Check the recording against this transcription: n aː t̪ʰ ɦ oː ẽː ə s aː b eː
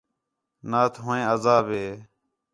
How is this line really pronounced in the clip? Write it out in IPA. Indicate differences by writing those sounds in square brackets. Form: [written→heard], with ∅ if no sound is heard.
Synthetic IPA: n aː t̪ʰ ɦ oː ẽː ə [s→z] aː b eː